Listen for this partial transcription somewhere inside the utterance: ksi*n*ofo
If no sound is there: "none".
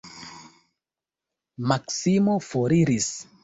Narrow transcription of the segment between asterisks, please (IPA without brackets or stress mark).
m